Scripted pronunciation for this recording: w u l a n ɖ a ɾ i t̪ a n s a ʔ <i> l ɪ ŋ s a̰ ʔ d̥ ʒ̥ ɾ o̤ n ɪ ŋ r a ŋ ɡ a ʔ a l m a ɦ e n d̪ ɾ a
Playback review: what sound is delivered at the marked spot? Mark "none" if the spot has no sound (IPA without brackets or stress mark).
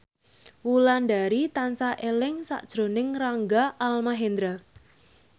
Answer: e